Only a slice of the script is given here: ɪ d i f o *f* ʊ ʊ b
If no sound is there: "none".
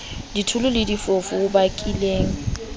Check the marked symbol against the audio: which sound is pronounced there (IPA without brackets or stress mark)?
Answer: f